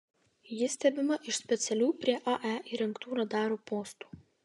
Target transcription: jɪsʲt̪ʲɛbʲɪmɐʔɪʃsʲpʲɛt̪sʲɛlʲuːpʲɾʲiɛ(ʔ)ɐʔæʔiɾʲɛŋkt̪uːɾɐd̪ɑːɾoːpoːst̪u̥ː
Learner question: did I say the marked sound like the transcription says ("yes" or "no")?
yes